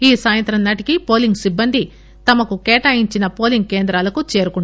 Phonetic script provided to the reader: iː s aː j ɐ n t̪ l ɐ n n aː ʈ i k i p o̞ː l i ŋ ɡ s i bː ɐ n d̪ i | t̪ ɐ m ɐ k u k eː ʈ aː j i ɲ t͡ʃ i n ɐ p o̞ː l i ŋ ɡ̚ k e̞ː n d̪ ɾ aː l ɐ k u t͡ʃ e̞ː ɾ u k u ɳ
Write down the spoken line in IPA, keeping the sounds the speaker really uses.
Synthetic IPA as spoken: iː s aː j ɐ n t̪ ɾ ɐ n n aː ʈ i k i p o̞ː l i ŋ ɡ s i bː ɐ n d̪ i | t̪ ɐ m ɐ k u k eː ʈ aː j i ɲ t͡ʃ i n ɐ p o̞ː l i ŋ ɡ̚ k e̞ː n d̪ ɾ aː l ɐ k u t͡ʃ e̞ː ɾ u k u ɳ